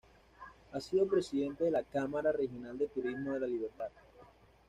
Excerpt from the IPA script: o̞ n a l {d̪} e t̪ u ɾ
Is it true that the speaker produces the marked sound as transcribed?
yes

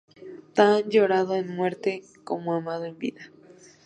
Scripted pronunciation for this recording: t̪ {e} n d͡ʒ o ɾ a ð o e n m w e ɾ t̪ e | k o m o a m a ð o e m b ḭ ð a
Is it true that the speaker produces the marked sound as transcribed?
no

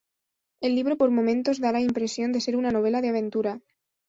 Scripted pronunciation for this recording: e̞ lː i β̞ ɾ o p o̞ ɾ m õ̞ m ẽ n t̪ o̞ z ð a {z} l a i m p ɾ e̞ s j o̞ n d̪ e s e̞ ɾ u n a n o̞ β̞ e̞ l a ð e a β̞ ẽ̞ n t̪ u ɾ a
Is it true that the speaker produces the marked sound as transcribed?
no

